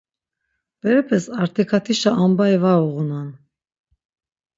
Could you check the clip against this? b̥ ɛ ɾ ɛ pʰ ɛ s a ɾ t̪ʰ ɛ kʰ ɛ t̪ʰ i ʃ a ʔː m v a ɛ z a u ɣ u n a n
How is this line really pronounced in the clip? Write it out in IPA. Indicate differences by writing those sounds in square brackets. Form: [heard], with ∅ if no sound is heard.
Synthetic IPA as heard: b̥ ɛ ɾ ɛ pʰ ɛ s a ɾ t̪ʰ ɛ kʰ [a] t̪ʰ i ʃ a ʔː m [b] a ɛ [v] a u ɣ u n a n